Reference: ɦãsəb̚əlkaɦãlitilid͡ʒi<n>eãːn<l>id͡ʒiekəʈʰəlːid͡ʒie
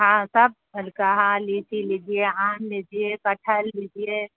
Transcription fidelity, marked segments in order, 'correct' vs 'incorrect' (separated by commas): incorrect, correct